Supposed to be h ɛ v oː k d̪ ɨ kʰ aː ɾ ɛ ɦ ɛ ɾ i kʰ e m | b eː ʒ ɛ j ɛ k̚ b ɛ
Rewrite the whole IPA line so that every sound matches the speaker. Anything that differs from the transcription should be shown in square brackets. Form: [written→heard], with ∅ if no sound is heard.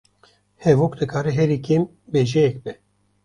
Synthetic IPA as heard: h ɛ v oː k d̪ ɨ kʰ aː ɾ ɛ ɦ ɛ ɾ i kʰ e m | b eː ʒ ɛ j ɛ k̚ b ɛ